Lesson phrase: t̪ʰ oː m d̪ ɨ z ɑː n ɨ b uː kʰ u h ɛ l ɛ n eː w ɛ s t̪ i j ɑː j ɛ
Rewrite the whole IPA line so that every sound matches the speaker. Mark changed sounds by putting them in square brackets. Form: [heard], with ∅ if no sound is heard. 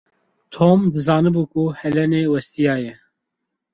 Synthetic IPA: t̪ʰ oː m d̪ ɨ z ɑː n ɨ b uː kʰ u h ɛ l ɛ n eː w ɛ s t̪ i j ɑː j ɛ